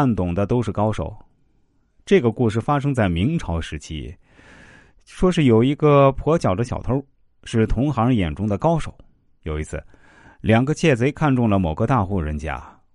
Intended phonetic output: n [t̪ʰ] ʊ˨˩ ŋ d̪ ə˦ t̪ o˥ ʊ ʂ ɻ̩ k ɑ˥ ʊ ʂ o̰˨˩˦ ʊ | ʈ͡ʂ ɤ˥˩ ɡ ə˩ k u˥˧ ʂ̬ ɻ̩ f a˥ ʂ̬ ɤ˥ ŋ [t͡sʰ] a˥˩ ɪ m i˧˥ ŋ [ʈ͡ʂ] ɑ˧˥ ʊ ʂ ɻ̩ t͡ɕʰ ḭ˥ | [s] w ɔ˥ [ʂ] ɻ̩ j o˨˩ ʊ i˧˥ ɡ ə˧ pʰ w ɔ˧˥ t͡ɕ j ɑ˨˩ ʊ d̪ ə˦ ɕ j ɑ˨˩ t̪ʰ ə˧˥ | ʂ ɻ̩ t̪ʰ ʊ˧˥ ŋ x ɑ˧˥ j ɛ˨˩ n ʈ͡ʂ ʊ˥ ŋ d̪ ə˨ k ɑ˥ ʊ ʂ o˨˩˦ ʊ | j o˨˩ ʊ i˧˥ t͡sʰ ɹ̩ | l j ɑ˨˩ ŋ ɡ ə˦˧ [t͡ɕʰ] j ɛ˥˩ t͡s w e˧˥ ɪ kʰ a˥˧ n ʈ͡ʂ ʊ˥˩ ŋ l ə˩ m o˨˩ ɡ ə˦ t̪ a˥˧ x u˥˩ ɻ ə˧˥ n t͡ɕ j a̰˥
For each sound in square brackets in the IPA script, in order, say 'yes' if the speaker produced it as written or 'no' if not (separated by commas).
no, no, no, no, yes, yes